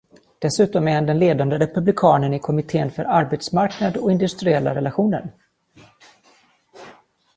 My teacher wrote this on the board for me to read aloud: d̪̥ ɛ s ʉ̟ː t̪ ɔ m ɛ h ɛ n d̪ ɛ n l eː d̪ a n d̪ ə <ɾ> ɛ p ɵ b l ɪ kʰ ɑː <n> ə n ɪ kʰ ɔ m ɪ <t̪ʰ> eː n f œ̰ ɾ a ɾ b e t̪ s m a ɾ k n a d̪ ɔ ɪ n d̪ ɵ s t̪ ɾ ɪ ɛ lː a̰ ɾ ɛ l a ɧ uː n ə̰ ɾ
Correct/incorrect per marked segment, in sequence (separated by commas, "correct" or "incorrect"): correct, correct, correct